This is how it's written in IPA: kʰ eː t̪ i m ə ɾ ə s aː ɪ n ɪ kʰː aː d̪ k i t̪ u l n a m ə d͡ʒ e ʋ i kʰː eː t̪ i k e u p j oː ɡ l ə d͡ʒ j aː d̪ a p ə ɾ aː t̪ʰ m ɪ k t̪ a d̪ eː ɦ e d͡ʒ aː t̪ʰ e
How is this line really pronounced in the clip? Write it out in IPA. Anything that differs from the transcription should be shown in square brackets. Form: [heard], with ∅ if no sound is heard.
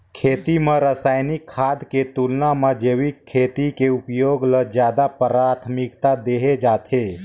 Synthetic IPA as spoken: kʰ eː t̪ i m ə ɾ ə s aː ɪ n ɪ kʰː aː d̪ k [e] t̪ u l n a m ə d͡ʒ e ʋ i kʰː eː t̪ i k e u p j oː ɡ l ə d͡ʒ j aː d̪ a p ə ɾ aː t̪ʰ m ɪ k t̪ a d̪ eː ɦ e d͡ʒ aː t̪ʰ e